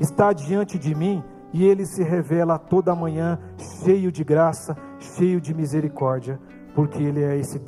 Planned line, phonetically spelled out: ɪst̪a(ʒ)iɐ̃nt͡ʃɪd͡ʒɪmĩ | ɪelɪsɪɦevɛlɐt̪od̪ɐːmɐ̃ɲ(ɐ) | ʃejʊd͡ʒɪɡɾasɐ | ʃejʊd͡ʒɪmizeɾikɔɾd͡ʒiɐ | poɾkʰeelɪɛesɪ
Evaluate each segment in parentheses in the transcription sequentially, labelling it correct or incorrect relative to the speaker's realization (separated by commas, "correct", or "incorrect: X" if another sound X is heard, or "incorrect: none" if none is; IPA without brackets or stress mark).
incorrect: d͡ʒ, incorrect: ɐ̃